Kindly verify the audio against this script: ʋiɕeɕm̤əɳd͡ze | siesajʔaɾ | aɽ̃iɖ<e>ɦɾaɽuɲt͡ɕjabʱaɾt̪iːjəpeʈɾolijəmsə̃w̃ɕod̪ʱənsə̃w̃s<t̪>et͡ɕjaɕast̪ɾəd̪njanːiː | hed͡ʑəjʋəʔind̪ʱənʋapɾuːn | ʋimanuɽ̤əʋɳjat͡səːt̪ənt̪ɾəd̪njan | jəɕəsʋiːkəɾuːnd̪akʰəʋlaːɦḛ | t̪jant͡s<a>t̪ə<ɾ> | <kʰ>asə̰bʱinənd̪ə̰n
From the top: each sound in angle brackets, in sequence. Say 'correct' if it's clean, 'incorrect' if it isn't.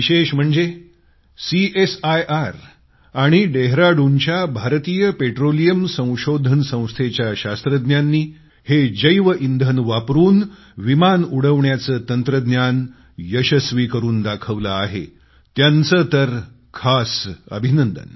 correct, incorrect: t̪ʰ, incorrect: ə, correct, correct

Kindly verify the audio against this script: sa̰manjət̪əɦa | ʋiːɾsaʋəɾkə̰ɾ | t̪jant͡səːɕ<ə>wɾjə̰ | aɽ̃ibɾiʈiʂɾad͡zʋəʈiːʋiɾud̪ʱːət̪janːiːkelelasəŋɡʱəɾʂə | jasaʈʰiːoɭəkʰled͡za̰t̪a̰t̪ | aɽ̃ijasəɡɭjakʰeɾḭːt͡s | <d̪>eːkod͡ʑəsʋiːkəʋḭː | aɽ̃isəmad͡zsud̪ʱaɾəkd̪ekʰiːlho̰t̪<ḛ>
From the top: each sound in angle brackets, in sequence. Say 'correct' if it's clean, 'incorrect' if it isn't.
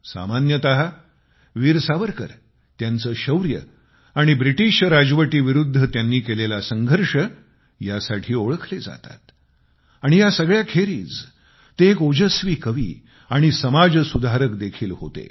correct, incorrect: t̪, correct

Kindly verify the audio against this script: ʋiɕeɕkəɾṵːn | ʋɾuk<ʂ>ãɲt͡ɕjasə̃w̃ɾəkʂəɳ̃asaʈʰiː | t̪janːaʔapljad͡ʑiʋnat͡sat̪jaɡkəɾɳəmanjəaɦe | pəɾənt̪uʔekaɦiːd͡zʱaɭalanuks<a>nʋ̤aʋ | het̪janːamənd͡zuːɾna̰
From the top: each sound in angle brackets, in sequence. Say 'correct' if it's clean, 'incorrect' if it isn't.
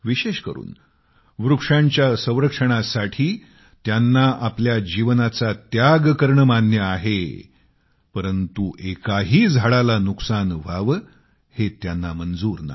correct, correct

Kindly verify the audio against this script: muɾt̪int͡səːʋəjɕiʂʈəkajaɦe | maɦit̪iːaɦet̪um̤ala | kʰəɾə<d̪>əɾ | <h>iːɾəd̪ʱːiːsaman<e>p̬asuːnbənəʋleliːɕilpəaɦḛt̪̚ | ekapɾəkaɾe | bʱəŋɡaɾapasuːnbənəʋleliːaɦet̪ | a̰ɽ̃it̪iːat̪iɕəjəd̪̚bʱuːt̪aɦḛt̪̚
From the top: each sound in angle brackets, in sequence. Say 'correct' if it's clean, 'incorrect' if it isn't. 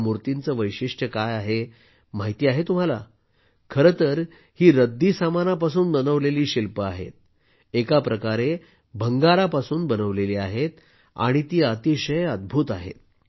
incorrect: t̪, correct, incorrect: a

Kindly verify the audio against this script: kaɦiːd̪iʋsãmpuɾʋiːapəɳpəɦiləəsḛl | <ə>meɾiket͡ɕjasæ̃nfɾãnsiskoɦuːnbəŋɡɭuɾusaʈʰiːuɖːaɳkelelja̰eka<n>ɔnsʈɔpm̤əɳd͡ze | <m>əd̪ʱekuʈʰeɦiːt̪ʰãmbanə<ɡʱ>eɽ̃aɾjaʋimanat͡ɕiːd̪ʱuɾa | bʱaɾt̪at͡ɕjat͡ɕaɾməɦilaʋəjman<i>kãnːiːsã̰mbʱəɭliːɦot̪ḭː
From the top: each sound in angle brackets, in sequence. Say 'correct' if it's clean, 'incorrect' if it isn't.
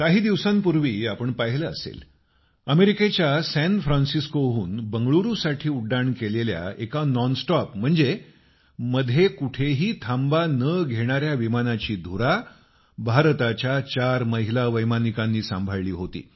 correct, correct, correct, correct, correct

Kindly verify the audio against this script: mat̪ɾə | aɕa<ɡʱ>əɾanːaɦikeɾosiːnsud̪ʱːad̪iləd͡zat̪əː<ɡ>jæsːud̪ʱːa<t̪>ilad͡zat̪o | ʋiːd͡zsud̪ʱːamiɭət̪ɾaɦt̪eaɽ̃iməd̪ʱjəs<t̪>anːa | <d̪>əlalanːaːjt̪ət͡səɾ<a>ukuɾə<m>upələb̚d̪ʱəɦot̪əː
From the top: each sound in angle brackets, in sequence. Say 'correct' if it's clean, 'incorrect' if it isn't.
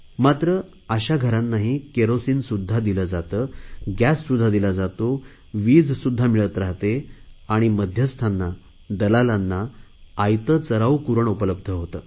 correct, correct, incorrect: d̪, incorrect: t̪ʰ, correct, correct, incorrect: ɳ

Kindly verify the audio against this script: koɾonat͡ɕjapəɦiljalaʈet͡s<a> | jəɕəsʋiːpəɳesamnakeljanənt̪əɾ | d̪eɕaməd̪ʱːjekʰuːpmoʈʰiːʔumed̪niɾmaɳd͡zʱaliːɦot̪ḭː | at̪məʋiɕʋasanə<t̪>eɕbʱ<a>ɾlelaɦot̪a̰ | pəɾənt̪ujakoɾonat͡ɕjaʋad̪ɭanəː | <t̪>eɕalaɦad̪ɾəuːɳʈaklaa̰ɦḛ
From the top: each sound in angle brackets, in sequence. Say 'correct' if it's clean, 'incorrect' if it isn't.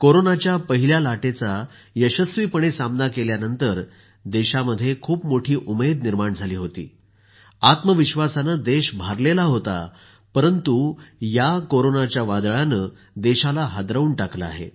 correct, incorrect: d̪, correct, incorrect: d̪

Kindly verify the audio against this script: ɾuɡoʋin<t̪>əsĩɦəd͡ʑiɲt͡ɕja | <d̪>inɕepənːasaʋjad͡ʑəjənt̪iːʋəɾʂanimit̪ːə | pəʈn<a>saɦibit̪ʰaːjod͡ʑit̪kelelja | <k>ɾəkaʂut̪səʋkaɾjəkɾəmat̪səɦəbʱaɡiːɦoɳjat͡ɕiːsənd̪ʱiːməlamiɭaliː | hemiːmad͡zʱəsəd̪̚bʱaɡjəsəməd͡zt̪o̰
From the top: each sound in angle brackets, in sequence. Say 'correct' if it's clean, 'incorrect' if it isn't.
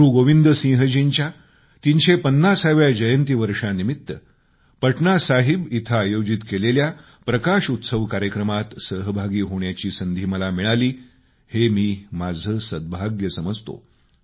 incorrect: d̪, incorrect: t̪, correct, incorrect: p

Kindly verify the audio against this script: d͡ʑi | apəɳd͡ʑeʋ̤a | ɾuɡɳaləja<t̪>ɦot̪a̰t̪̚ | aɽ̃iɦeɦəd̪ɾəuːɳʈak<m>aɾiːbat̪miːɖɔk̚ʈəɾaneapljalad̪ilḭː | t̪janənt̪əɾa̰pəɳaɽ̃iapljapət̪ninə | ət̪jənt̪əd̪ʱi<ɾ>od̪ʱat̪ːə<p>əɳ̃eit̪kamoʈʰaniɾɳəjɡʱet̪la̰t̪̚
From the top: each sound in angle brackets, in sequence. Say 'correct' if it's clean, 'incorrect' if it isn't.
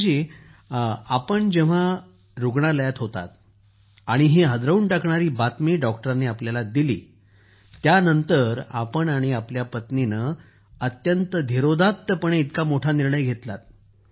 correct, incorrect: ɳ, correct, correct

